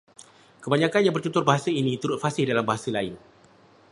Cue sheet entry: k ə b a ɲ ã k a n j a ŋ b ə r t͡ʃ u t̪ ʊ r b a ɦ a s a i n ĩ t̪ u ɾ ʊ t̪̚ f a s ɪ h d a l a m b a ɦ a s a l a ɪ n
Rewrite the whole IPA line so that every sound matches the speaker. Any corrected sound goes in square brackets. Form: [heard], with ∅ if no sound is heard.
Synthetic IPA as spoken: k ə b a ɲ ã k a n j a ŋ b ə r t͡ʃ u t̪ ʊ r b a ɦ a s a i n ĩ t̪ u ɾ ʊ t̪̚ f a s ɪ h d a l a m b a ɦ a s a l a ɪ n